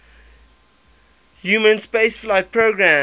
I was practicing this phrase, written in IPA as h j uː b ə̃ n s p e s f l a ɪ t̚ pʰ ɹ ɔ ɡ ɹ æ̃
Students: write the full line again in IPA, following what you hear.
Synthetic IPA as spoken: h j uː m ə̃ n s p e s f l a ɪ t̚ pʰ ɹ o ɡ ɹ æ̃